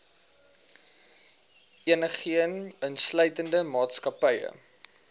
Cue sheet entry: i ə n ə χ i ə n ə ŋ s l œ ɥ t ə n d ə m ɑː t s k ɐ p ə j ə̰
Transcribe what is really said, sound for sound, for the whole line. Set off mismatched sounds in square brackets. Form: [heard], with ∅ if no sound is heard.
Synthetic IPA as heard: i ə n ə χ i ə n ə [n] s l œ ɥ t ə n d ə m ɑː t s k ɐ p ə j ə̰